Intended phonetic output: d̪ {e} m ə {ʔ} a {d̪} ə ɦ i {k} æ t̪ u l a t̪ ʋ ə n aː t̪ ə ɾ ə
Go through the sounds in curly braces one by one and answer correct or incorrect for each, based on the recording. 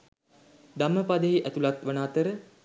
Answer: incorrect: a, incorrect: p, correct, incorrect: ʔ

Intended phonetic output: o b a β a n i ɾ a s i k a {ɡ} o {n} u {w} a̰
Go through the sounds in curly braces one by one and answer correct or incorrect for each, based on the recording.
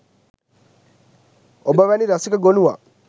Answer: correct, correct, correct

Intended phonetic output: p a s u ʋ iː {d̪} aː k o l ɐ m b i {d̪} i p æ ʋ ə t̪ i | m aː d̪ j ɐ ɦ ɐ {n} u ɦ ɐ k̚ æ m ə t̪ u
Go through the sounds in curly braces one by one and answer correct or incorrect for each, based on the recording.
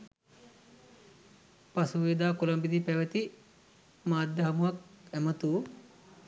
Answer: correct, correct, incorrect: m

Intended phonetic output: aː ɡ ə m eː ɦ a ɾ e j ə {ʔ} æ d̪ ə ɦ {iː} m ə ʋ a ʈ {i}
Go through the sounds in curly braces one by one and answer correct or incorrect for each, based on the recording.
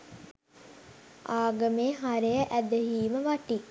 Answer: correct, correct, correct

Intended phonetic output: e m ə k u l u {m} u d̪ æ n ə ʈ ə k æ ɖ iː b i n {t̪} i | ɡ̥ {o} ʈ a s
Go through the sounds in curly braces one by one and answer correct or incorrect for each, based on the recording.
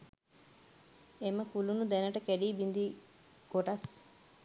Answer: incorrect: n, incorrect: d̪, correct

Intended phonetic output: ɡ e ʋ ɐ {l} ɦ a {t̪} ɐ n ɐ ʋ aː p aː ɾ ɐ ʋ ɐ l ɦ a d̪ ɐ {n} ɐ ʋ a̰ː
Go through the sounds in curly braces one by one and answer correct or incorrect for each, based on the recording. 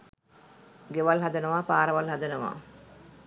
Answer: correct, incorrect: d̪, correct

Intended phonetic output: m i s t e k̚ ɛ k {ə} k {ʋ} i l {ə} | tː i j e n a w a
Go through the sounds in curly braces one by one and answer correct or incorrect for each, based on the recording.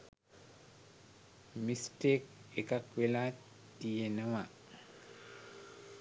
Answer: incorrect: a, incorrect: w, incorrect: a

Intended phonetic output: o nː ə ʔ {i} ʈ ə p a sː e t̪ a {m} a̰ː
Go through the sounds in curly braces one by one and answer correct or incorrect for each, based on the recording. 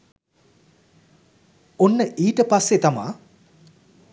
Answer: incorrect: iː, correct

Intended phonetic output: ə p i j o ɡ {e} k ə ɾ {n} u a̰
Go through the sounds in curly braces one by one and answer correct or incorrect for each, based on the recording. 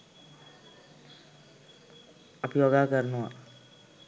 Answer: incorrect: a, correct

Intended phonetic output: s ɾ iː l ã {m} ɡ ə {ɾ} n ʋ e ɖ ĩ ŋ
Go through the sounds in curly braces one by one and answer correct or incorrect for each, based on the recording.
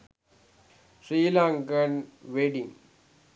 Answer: incorrect: ŋ, incorrect: none

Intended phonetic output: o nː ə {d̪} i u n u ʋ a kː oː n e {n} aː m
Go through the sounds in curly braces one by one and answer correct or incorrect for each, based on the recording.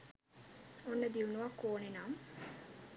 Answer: correct, correct

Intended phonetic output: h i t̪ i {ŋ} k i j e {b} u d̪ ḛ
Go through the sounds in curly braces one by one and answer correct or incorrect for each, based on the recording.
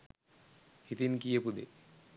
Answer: incorrect: n, incorrect: p

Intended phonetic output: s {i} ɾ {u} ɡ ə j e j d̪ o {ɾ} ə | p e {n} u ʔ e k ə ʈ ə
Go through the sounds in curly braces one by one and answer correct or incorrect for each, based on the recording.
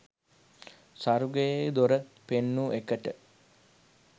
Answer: incorrect: a, correct, correct, incorrect: nː

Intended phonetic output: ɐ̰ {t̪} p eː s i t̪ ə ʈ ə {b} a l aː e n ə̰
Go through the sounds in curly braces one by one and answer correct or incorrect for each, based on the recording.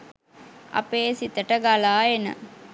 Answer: incorrect: none, incorrect: ɡ

